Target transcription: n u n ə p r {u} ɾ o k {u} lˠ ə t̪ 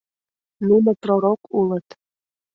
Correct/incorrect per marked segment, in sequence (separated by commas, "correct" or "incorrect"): incorrect, correct